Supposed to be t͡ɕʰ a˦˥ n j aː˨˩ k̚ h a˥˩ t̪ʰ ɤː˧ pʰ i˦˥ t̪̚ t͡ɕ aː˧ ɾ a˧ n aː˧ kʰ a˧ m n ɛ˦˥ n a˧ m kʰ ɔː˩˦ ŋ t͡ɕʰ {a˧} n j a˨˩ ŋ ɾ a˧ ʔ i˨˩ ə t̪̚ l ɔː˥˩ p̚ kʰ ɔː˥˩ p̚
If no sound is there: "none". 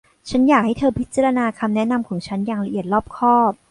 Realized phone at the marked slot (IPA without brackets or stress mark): a˦˥